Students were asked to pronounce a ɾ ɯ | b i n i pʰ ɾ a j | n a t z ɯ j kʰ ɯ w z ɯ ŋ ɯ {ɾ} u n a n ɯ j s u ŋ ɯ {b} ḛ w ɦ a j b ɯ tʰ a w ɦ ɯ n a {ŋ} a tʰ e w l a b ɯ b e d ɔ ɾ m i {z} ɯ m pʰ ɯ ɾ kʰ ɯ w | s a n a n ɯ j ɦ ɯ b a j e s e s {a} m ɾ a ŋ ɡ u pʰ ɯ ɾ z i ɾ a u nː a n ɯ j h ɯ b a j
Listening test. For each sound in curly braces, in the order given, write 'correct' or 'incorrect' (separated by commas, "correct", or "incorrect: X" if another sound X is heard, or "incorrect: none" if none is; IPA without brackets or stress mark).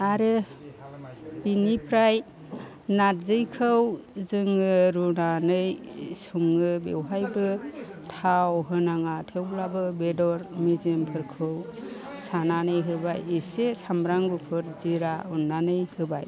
correct, correct, correct, correct, correct